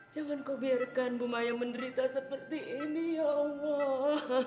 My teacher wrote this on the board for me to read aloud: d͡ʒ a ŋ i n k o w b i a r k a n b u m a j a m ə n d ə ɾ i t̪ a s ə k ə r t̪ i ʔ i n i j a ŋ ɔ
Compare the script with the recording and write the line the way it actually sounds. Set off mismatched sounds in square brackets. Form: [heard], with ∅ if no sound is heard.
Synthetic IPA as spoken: d͡ʒ a ŋ [a] n k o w b i a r k a n b u m a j a m ə n d ə ɾ i t̪ a s ə [p] ə r t̪ i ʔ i n i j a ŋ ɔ